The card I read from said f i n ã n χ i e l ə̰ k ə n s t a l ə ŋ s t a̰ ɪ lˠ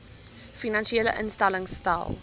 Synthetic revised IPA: f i n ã n ʃ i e l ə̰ ʔ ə n s t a l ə ŋ s t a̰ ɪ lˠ